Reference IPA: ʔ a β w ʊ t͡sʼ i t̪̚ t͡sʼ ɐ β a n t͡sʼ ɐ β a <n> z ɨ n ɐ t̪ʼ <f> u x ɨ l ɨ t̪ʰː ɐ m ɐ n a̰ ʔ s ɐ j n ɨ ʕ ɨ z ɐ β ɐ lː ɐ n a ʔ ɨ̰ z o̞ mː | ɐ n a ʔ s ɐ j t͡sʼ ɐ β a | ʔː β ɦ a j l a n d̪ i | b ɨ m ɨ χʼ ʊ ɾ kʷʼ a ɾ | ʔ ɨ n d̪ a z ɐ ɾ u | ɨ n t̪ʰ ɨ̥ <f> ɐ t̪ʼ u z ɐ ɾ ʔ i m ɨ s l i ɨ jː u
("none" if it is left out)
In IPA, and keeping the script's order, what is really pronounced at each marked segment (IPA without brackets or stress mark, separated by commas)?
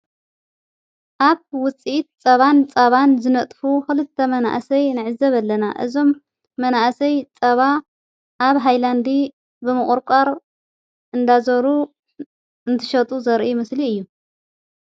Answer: n, f, ʃ